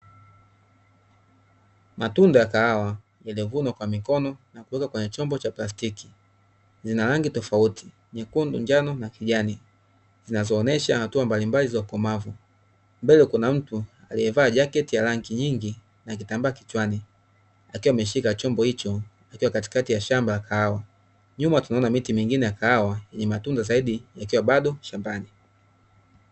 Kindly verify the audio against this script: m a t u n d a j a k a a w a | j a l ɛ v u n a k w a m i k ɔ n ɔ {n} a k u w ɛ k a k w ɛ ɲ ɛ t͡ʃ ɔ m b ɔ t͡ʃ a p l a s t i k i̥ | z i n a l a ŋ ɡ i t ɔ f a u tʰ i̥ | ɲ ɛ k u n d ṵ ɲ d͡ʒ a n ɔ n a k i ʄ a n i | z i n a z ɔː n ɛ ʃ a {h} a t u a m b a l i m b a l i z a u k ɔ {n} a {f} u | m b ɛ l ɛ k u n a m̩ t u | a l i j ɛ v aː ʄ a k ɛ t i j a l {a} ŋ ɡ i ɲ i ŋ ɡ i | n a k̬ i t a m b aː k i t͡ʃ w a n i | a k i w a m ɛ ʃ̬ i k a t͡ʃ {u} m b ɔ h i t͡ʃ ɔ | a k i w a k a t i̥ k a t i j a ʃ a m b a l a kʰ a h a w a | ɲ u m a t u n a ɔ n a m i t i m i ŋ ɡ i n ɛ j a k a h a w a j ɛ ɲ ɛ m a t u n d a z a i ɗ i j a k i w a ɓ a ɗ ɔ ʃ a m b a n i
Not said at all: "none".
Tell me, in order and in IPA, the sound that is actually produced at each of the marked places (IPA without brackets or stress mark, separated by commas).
n, h, m, v, a, ɔ